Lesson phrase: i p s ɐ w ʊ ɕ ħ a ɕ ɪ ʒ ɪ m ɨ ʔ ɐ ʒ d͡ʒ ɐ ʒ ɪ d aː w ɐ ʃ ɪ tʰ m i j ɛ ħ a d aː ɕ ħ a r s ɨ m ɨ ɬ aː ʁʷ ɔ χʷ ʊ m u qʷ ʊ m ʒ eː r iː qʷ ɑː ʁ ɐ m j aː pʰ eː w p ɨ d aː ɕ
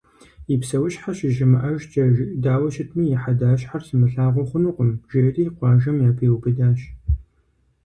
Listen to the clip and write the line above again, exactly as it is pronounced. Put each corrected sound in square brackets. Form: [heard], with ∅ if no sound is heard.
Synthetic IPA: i p s ɐ w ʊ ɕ ħ a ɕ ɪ ʒ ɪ m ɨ ʔ ɐ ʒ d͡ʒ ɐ ʒ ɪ d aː w ɐ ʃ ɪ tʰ m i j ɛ ħ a d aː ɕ ħ a r s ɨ m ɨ ɬ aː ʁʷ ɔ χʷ ʊ [n] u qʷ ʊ m ʒ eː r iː qʷ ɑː [ʒ] ɐ m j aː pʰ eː w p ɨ d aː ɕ